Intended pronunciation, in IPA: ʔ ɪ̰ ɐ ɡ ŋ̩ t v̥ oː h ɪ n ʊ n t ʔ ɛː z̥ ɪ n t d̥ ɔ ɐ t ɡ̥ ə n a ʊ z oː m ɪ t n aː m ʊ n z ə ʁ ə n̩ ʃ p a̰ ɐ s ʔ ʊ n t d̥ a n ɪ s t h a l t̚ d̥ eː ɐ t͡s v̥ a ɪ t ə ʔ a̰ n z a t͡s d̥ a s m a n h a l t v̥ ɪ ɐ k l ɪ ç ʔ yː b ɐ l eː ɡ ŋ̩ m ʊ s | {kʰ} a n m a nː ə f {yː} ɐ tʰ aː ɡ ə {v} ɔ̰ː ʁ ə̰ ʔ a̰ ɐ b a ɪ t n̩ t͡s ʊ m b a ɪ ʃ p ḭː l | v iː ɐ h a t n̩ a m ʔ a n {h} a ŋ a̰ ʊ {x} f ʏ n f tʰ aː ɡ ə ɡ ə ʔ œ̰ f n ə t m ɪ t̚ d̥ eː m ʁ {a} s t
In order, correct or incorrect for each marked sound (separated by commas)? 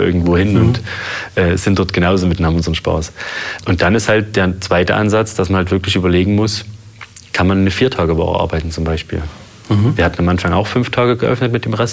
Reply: correct, incorrect, correct, incorrect, correct, incorrect